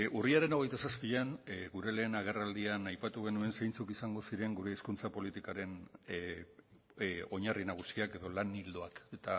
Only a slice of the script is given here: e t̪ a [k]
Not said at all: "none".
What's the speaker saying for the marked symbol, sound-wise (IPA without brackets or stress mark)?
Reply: none